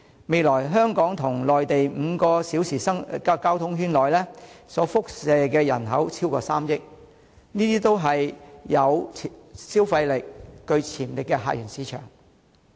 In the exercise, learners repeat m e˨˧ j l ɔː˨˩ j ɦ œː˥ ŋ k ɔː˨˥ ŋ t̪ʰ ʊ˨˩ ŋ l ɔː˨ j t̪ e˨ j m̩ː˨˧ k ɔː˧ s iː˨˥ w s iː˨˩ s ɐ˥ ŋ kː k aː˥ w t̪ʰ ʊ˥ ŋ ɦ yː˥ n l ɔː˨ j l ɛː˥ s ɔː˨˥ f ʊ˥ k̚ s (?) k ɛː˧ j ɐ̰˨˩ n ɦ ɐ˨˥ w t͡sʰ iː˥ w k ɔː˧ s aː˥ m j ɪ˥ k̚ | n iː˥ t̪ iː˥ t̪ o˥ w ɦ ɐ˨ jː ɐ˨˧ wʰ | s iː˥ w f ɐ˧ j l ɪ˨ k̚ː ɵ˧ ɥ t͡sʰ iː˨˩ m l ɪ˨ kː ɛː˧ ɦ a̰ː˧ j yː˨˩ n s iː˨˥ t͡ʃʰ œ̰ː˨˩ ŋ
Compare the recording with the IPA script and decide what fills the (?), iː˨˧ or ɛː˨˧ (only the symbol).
ɛː˨˧